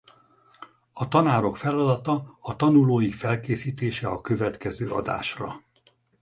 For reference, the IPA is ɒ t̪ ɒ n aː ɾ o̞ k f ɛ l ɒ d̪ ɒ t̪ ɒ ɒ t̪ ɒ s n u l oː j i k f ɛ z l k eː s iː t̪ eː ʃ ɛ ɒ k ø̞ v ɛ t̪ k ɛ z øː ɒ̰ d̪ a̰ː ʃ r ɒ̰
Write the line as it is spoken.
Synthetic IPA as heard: ɒ t̪ ɒ n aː ɾ o̞ k f ɛ l ɒ d̪ ɒ t̪ ɒ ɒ t̪ ɒ n u l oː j i k f ɛ l k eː s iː t̪ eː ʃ ɛ ɒ k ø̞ v ɛ t̪ k ɛ z øː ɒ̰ d̪ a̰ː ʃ r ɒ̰